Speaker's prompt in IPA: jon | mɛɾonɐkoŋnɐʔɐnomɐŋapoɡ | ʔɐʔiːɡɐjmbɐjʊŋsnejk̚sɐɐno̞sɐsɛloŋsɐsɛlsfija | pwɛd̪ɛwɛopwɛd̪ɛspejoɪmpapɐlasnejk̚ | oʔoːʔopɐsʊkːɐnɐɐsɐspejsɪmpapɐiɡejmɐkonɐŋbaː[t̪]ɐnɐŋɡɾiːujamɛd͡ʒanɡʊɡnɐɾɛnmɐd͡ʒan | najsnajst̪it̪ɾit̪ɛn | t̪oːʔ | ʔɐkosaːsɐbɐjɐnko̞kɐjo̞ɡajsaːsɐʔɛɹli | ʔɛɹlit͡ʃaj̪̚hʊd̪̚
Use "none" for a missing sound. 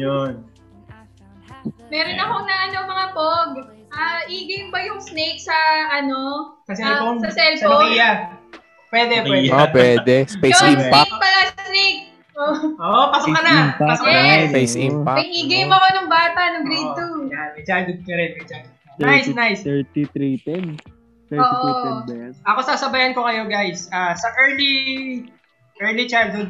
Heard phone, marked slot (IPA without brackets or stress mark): t̪